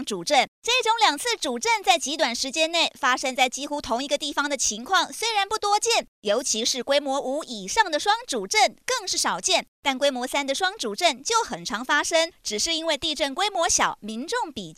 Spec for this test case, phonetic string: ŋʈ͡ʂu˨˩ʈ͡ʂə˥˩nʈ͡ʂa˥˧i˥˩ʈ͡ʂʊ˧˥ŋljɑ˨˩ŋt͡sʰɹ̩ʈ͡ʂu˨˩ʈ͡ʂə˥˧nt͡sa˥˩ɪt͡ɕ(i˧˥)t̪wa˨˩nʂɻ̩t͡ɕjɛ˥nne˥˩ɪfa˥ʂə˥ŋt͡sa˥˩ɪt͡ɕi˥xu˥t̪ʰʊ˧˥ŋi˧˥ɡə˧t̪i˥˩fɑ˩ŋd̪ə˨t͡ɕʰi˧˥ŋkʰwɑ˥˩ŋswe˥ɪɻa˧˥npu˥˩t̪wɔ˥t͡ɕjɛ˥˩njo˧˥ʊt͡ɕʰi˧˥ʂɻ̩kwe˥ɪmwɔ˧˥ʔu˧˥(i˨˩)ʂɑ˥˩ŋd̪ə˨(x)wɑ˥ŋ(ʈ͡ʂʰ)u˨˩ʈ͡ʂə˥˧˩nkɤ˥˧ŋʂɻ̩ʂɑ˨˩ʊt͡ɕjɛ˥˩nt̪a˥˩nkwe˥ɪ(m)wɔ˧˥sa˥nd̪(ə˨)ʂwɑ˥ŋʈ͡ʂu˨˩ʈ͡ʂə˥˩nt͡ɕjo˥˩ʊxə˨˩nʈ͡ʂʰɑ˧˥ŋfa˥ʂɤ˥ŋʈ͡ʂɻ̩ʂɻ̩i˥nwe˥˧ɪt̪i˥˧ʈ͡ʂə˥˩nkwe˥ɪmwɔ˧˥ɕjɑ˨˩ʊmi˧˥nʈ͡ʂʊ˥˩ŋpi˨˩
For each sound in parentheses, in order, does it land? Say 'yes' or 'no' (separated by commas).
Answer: yes, yes, no, no, yes, yes